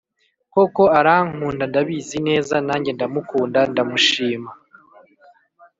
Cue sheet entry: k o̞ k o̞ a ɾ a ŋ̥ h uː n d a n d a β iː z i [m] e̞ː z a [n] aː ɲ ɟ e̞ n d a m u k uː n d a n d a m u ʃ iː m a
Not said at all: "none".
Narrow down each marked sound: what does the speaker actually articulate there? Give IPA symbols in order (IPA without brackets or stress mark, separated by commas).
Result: n, n